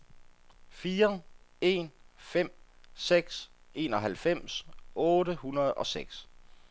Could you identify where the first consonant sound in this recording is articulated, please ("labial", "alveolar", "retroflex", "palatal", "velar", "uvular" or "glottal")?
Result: labial